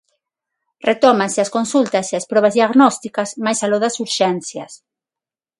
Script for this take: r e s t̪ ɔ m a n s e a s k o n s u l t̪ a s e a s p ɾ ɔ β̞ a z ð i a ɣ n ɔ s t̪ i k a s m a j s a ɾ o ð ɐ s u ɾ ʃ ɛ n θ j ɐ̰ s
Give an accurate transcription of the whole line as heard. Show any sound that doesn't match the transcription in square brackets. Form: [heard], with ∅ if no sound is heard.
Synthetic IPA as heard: r e [∅] t̪ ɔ m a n s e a s k o n s u l t̪ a s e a s p ɾ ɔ β̞ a z ð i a ɣ n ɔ s t̪ i k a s m a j s a [l] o ð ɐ s u ɾ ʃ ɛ n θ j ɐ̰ s